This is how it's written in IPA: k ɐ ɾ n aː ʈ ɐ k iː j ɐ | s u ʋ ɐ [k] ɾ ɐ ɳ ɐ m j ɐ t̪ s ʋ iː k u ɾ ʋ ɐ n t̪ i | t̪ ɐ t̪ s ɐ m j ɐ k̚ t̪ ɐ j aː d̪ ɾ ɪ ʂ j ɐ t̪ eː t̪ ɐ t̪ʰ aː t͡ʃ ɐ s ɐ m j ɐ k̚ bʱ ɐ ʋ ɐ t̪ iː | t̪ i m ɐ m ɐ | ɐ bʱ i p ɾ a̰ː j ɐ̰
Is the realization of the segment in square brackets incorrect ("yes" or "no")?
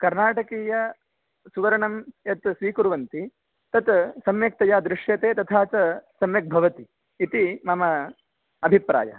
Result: yes